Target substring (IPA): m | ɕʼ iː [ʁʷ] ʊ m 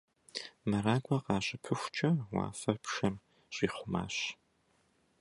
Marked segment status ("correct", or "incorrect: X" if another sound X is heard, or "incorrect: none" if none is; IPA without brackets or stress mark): incorrect: χʷ